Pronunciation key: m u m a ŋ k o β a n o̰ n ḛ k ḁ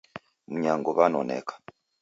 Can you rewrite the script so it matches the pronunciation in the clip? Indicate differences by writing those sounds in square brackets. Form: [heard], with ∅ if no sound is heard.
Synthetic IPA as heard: m u [ɲ] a ŋ [ɡ] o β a n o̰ n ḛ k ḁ